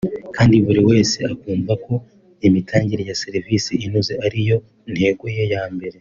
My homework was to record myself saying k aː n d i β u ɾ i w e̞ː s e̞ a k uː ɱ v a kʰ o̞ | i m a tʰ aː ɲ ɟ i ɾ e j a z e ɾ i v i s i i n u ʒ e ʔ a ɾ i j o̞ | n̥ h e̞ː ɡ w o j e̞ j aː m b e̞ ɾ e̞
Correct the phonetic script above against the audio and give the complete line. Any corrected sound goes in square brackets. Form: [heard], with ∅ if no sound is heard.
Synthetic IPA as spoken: k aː n d i β u ɾ i w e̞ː s e̞ a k uː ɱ v a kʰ o̞ | i m [i] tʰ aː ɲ ɟ i ɾ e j a [s] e ɾ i v i s i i n u [z] e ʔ a ɾ i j o̞ | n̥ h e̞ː ɡ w o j e̞ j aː m b e̞ ɾ e̞